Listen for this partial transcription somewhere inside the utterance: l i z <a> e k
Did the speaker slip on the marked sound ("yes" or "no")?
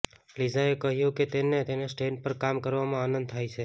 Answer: no